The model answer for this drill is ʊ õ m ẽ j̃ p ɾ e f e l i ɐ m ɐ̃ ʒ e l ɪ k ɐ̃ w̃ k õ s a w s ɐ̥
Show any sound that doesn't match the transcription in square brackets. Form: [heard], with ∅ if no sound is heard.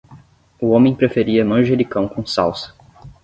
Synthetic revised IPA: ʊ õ m ẽ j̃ p ɾ e f e [ɾ] i ɐ m ɐ̃ ʒ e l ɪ k ɐ̃ w̃ k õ s a w s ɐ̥

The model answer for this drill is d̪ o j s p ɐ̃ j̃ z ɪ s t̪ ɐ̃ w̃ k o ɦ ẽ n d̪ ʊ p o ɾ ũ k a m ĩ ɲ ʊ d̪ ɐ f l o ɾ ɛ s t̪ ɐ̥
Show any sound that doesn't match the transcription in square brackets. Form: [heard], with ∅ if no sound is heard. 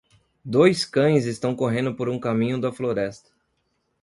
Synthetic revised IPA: d̪ o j s [k] ɐ̃ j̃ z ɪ s t̪ ɐ̃ w̃ k o ɦ ẽ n d̪ ʊ p o ɾ ũ k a m ĩ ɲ ʊ d̪ ɐ f l o ɾ ɛ s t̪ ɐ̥

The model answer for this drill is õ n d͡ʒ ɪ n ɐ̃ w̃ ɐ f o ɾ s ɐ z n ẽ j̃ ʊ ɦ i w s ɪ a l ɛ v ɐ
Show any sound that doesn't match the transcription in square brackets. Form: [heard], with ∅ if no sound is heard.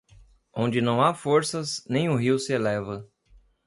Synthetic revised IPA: õ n d͡ʒ ɪ n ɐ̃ w̃ [a] f o ɾ s ɐ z n ẽ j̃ ʊ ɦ i w s ɪ [e] l ɛ v ɐ

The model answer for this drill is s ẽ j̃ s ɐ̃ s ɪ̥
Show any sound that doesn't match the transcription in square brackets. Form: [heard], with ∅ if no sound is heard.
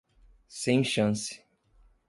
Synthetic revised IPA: s ẽ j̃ [ʃ] ɐ̃ s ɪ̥

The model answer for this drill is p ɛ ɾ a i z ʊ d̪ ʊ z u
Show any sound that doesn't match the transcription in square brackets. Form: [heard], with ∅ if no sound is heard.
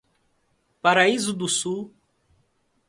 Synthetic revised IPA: p [a] ɾ a i z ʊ d̪ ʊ [s] u

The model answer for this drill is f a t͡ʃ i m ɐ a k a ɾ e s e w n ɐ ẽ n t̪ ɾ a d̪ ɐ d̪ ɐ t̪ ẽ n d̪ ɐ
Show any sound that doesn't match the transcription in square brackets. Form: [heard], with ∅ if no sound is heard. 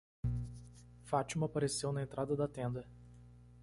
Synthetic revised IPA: f a t͡ʃ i m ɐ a [p] a ɾ e s e w n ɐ ẽ n t̪ ɾ a d̪ ɐ d̪ ɐ t̪ ẽ n d̪ ɐ

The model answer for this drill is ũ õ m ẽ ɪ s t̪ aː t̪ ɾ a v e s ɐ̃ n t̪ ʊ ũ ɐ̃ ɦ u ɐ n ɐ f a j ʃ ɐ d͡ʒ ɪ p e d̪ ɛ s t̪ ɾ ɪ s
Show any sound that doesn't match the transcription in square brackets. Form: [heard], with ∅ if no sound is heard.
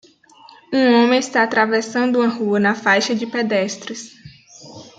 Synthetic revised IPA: ũ õ m ẽ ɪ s t̪ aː t̪ ɾ a v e s ɐ̃ n [d̪] ʊ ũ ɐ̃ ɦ u ɐ n ɐ f a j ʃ ɐ d͡ʒ ɪ p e d̪ ɛ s t̪ ɾ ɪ s

